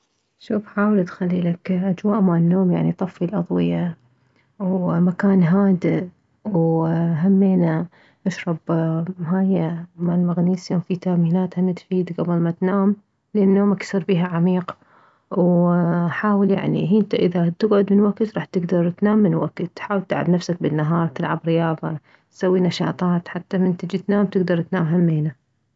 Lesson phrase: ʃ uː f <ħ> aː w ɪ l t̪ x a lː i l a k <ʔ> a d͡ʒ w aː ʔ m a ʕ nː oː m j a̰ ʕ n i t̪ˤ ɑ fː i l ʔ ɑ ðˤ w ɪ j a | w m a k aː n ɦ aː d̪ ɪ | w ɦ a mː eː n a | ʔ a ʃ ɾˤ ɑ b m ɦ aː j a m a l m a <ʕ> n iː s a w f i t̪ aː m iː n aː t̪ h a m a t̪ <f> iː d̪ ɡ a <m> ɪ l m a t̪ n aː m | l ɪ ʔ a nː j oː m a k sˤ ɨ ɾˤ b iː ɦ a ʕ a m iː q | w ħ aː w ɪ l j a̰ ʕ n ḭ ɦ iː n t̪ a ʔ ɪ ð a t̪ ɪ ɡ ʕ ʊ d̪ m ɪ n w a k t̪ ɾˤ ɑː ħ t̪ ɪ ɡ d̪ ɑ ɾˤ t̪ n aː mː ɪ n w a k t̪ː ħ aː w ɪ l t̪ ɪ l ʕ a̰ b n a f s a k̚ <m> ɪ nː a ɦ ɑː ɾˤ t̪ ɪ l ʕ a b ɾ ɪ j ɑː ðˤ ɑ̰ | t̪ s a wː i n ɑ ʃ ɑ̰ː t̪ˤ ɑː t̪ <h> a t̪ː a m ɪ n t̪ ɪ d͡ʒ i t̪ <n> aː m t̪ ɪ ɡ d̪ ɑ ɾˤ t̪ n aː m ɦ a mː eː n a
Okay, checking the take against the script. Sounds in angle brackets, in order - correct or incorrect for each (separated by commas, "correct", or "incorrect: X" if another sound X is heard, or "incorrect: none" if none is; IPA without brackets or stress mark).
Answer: correct, correct, incorrect: ɣ, correct, incorrect: b, incorrect: b, incorrect: ħ, correct